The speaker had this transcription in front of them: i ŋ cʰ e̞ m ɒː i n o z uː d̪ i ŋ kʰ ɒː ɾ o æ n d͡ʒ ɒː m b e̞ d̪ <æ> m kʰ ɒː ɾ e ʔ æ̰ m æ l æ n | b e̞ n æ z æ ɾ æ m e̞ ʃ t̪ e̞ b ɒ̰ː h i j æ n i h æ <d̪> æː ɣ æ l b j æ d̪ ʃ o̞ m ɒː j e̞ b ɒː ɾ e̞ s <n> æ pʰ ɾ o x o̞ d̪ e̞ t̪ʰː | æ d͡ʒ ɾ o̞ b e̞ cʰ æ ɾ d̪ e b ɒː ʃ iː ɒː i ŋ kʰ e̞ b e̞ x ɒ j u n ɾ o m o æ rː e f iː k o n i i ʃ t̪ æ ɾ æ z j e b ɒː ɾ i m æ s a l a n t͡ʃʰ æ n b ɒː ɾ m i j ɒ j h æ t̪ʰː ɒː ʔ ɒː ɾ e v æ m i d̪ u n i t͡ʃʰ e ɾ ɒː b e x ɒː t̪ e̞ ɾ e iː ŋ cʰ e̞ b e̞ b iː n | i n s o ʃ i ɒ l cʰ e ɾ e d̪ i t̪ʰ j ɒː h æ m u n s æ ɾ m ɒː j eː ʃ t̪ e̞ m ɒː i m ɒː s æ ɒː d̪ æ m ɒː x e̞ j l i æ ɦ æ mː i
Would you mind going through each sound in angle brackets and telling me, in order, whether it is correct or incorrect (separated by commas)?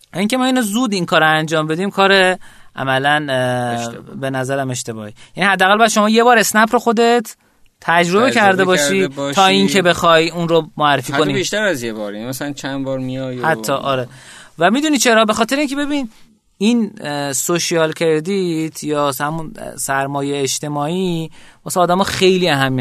incorrect, incorrect, correct